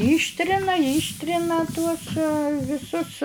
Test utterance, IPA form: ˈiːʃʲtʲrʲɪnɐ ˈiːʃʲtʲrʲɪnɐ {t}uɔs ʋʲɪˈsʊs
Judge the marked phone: correct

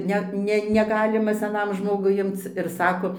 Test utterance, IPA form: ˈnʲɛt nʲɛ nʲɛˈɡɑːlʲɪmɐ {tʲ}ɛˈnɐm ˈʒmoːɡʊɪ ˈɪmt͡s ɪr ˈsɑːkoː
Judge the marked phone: incorrect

